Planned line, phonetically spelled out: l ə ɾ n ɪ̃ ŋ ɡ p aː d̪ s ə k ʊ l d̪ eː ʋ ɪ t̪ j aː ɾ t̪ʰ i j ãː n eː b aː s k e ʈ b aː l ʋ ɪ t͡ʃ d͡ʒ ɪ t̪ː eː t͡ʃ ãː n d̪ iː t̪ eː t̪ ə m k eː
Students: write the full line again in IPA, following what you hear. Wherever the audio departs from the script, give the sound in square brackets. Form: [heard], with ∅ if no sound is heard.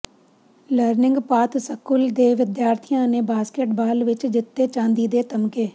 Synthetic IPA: l ə ɾ n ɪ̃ ŋ ɡ p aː [t̪] s ə k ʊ l d̪ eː ʋ ɪ [d̪] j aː ɾ t̪ʰ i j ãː n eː b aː s k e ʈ b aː l ʋ ɪ t͡ʃ d͡ʒ ɪ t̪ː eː t͡ʃ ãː n d̪ iː [d̪] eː t̪ ə m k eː